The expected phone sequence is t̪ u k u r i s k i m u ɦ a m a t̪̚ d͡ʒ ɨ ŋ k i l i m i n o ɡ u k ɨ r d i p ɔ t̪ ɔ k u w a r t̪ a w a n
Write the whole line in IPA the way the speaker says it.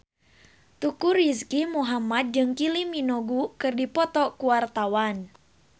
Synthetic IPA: t̪ u k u r i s k i m u ɦ a m a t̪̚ d͡ʒ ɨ ŋ k i l i m i n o ɡ u k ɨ r d i p ɔ t̪ ɔ k u w a r t̪ a w a n